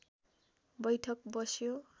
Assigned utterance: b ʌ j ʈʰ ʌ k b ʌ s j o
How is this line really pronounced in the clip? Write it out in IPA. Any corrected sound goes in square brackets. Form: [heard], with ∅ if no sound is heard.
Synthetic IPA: b ʌ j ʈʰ ʌ k b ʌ s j o